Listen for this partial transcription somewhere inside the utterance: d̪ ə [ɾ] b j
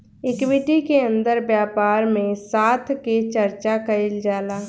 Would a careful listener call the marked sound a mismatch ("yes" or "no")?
no